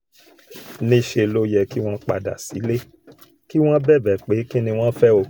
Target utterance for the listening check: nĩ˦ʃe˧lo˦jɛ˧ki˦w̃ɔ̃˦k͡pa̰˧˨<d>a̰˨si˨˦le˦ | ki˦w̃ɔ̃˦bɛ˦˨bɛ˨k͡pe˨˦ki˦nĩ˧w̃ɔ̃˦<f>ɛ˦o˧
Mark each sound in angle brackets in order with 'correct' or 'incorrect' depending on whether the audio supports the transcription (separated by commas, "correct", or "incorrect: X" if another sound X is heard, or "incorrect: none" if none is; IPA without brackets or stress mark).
correct, correct